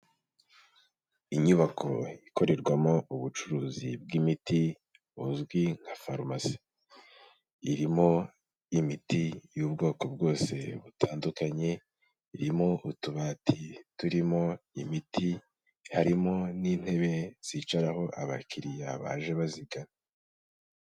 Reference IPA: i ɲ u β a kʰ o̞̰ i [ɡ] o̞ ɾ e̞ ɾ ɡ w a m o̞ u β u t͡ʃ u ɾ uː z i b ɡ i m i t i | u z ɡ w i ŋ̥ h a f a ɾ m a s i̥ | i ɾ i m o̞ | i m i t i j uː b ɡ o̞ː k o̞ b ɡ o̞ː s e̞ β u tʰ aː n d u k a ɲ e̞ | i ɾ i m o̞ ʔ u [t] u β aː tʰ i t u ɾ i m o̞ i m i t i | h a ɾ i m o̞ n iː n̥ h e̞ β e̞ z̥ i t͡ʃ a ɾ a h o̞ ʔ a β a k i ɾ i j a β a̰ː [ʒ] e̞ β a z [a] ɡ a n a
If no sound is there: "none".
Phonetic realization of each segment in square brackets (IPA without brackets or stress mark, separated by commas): k, t, ʒ, i